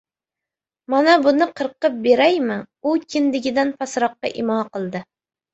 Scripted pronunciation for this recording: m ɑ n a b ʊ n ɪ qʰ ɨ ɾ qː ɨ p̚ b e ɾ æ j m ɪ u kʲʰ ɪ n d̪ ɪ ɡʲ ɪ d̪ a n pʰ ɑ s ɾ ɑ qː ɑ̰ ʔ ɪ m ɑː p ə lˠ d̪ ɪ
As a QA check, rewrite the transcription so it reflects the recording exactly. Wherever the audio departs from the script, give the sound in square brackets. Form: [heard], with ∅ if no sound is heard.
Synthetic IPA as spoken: m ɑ n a b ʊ n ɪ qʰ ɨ ɾ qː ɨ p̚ b e ɾ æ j m ɪ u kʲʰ ɪ n d̪ ɪ ɡʲ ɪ d̪ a n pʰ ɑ s ɾ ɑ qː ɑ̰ ʔ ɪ m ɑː [q] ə lˠ d̪ ɪ